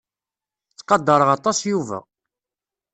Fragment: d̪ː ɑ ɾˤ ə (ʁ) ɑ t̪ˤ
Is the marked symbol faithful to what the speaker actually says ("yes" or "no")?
yes